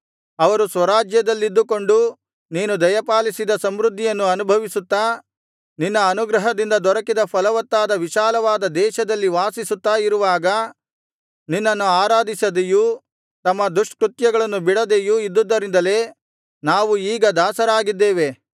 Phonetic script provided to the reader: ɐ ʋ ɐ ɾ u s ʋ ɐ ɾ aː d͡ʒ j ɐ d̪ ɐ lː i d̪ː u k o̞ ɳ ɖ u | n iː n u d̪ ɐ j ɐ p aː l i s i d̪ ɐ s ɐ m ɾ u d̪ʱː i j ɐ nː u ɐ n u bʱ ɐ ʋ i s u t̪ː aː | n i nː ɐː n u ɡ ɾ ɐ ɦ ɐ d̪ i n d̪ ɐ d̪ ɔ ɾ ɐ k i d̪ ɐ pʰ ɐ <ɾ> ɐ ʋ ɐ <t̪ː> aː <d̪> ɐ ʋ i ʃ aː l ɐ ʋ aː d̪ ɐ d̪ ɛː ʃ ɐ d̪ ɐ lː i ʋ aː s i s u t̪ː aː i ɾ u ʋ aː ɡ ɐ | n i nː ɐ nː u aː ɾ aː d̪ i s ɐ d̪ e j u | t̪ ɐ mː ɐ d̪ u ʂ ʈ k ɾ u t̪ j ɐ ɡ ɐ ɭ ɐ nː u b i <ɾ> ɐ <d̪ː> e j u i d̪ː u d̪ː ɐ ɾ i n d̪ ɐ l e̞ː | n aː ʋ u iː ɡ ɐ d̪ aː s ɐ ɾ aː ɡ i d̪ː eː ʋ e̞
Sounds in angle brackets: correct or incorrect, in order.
incorrect, correct, correct, incorrect, incorrect

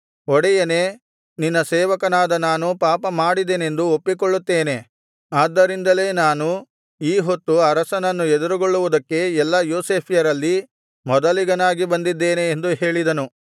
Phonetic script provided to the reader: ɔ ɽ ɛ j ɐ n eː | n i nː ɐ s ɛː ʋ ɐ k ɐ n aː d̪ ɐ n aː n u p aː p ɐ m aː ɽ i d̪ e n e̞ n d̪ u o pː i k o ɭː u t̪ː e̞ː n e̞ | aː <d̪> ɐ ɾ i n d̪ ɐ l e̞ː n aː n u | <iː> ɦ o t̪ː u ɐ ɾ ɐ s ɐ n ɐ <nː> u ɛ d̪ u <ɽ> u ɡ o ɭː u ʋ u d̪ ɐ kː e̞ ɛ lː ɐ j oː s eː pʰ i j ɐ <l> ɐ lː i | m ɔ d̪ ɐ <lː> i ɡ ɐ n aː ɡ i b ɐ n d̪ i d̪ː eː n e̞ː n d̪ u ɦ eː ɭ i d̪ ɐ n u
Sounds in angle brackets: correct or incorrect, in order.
incorrect, correct, correct, incorrect, incorrect, incorrect

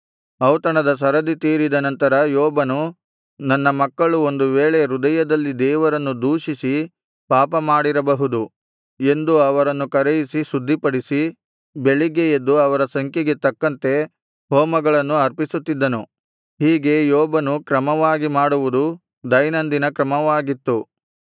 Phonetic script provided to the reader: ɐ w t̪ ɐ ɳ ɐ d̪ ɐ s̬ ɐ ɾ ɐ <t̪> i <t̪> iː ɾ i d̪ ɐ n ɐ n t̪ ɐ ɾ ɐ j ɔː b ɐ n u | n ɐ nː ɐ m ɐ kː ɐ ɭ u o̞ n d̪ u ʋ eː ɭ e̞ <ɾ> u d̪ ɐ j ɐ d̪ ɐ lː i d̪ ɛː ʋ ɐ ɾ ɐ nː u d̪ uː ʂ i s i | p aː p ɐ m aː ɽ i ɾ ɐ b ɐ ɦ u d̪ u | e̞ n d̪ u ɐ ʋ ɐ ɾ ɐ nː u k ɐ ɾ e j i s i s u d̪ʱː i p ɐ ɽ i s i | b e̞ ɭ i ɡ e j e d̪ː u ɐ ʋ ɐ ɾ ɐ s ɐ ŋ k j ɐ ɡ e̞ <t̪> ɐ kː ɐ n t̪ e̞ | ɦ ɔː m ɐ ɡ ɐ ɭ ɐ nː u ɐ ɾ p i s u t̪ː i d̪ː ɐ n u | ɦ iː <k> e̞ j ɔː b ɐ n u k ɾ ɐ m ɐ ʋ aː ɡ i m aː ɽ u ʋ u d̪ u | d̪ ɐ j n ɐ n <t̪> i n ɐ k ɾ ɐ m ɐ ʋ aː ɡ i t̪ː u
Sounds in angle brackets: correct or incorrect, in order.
incorrect, correct, correct, correct, incorrect, incorrect

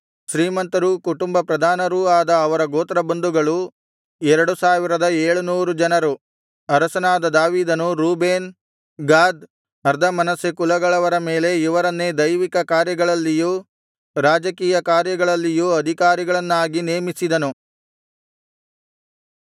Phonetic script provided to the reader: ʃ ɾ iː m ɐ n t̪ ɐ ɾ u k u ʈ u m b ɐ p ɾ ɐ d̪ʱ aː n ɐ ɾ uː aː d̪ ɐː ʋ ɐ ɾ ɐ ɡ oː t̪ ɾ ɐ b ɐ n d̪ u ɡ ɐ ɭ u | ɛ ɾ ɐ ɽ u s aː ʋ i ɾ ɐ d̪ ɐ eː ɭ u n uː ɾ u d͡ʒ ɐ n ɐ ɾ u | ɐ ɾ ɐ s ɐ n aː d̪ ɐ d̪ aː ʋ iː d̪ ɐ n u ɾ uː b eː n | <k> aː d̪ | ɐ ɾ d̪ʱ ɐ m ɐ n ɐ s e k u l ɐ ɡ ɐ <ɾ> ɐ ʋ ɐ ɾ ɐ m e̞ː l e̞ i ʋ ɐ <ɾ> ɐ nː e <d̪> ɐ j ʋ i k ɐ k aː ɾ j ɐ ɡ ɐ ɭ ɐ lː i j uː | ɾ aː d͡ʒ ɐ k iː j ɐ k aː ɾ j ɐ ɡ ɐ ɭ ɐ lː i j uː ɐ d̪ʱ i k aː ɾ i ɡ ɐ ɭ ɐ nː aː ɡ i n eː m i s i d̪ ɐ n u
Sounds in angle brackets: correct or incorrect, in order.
incorrect, incorrect, correct, correct

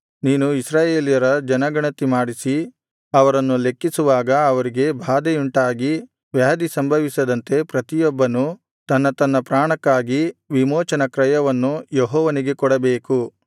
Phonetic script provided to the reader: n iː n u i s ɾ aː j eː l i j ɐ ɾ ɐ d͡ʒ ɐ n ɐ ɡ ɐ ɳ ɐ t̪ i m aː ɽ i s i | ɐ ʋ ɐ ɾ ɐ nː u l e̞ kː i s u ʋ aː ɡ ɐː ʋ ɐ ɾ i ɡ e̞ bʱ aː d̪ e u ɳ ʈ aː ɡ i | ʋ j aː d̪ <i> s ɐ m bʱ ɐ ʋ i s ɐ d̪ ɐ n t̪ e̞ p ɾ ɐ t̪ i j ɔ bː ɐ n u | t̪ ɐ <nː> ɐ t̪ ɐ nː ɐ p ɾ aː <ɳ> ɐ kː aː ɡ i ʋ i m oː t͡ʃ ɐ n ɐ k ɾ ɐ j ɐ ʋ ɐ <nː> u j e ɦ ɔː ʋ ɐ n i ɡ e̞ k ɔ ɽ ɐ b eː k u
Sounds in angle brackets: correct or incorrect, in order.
correct, correct, correct, correct

